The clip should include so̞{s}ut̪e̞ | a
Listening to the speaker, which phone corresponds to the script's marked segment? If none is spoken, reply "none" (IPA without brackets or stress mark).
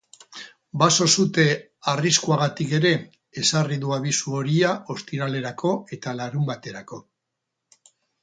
s